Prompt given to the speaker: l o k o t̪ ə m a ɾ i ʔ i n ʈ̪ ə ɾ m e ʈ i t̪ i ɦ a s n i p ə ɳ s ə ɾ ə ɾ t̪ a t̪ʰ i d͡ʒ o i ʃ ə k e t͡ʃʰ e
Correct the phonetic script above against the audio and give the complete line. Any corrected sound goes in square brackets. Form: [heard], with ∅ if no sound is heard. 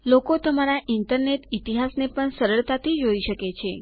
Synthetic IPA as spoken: l o k o t̪ ə m a ɾ [a] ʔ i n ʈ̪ ə ɾ [n] e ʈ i t̪ i ɦ a s n [e] p ə ɳ s ə ɾ ə [ɭ] t̪ a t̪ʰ i d͡ʒ o i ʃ ə k e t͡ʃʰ e